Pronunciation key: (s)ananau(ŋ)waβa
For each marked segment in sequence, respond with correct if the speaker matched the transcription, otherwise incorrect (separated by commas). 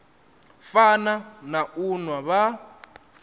incorrect, incorrect